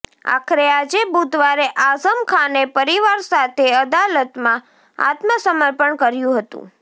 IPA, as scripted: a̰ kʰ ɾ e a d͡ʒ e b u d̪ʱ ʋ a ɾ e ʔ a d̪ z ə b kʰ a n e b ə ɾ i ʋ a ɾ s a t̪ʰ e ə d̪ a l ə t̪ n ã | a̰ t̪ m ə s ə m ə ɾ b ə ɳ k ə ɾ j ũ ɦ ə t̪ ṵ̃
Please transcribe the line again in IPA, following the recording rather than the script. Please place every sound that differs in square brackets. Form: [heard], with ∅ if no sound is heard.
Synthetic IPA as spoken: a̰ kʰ ɾ e a d͡ʒ e b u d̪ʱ ʋ a ɾ e ʔ a [∅] z ə [m] kʰ a n e [p] ə ɾ i ʋ a ɾ s a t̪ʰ e ə d̪ a l ə t̪ [m] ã | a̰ t̪ m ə s ə m ə ɾ [p] ə ɳ k ə ɾ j ũ ɦ ə t̪ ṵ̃